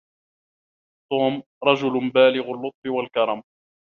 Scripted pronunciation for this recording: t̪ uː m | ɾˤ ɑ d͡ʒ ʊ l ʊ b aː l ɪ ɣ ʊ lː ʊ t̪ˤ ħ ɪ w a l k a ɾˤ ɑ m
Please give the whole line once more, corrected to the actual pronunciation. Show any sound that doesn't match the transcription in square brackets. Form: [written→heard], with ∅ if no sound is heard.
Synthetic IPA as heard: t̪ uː m | ɾˤ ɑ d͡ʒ ʊ l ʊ b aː l ɪ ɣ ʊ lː ʊ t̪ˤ [ħ→f] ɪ w a l k [a→ɑ] ɾˤ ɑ m